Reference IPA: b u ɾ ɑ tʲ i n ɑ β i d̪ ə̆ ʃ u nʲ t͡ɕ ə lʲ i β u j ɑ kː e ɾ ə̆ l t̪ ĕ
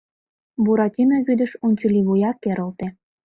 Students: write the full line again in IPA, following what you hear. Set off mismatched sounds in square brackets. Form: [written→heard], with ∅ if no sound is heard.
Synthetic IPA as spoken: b u ɾ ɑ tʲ i n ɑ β [i→y] d̪ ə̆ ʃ u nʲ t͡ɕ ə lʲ i β u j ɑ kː e ɾ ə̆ l t̪ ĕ